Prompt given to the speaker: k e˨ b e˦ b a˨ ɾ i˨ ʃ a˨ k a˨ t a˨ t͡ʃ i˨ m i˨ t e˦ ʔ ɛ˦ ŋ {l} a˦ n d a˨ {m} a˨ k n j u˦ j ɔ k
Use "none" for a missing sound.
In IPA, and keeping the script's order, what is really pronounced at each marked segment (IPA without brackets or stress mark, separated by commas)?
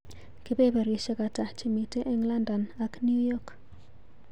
l, n